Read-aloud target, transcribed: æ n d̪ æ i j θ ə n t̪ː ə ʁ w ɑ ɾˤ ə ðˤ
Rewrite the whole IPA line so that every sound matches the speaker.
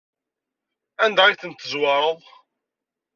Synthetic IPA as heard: æ n d̪ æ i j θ ə n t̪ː ə z w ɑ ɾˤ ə ðˤ